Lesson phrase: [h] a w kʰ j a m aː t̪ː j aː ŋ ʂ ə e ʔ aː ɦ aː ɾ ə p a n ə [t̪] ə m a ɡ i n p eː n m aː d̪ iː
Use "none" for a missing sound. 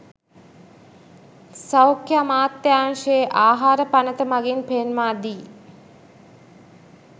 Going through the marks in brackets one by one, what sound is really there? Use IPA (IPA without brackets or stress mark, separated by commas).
s, t̪